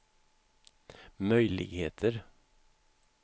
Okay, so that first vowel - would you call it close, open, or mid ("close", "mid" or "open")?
mid